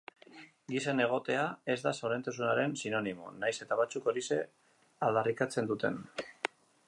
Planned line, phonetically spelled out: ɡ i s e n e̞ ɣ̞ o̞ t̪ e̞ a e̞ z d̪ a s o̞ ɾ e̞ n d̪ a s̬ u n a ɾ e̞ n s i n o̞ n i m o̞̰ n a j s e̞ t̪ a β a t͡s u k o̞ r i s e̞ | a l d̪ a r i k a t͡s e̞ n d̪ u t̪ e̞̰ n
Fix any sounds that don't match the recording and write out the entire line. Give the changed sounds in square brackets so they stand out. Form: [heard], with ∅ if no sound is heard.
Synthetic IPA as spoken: ɡ i s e n e̞ ɣ̞ o̞ t̪ e̞ a e̞ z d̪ a s o̞ ɾ e̞ n [t̪] a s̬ u n a ɾ e̞ n s i n o̞ n i m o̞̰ n a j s e̞ t̪ a β a t͡s u k o̞ [ɾ] i s e̞ | a l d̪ a r i k a t͡s e̞ n d̪ u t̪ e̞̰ n